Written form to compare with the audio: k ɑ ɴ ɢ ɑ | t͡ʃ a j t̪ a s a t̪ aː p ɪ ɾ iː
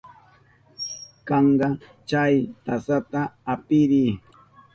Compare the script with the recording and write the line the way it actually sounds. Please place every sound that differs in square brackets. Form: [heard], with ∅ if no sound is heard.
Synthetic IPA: k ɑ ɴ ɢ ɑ | t͡ʃ a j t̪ a s a t̪ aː p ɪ ɾ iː